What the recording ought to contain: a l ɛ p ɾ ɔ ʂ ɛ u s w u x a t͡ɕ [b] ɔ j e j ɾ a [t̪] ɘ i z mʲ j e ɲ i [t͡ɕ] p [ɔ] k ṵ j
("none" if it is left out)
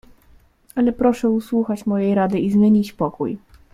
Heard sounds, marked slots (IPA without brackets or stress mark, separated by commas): m, d̪, t͡ɕ, ɔ